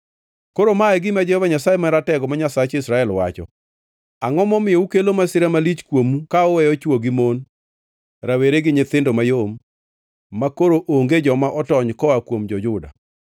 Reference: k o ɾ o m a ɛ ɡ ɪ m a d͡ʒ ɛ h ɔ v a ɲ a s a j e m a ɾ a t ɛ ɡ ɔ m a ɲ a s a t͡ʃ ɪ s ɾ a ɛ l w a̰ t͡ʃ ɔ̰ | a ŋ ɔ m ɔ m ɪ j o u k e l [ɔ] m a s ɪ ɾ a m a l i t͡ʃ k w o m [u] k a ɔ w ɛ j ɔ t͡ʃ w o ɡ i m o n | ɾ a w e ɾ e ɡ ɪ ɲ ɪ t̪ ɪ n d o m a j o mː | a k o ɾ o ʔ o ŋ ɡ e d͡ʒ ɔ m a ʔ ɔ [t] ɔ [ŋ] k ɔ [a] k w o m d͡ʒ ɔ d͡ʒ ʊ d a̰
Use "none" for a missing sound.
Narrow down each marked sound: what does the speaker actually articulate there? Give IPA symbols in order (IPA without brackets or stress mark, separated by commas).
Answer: o, u, t, ɲ, a